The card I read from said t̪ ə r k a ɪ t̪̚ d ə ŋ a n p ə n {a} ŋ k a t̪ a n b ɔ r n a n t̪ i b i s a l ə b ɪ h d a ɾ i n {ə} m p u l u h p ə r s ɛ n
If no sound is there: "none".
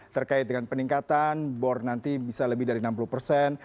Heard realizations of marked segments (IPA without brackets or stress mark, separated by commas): i, a